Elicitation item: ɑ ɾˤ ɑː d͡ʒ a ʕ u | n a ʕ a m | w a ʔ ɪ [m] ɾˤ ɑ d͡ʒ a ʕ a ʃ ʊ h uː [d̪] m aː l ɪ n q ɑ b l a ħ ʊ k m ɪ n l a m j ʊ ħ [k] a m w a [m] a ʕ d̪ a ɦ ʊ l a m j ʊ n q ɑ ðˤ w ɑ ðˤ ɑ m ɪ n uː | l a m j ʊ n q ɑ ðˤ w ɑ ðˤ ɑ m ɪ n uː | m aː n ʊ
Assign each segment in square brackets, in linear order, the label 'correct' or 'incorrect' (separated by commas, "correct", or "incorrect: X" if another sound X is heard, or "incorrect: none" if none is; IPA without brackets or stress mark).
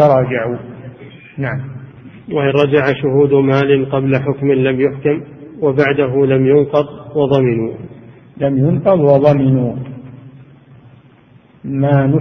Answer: incorrect: n, correct, correct, incorrect: b